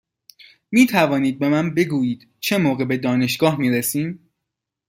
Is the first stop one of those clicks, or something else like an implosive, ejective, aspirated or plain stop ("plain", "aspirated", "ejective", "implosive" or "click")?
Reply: aspirated